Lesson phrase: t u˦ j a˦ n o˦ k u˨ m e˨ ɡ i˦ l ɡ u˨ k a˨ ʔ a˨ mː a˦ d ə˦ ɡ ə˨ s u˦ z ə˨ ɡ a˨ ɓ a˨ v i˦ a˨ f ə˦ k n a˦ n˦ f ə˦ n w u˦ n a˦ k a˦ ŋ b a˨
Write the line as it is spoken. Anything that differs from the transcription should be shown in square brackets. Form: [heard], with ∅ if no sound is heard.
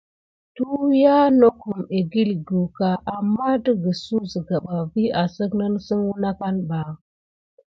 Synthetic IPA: t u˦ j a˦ n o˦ k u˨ m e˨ ɡ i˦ l ɡ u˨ k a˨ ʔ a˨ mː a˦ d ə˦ ɡ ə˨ s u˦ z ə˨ ɡ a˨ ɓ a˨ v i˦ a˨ [s] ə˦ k n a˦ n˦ [s] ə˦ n w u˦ n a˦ k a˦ [n] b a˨